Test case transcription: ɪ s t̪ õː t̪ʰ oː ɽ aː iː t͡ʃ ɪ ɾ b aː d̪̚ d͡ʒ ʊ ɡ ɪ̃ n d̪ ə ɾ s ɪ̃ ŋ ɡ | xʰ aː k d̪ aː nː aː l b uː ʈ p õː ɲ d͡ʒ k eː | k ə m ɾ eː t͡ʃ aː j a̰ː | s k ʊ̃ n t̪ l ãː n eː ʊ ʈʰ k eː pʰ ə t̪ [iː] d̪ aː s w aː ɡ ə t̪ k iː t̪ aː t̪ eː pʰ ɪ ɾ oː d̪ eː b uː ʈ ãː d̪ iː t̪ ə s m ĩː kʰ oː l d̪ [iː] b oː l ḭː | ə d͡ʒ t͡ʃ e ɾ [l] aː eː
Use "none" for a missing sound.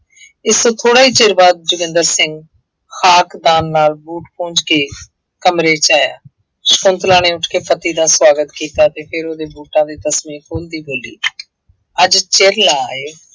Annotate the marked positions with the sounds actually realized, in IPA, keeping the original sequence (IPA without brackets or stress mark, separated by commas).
iː, iː, l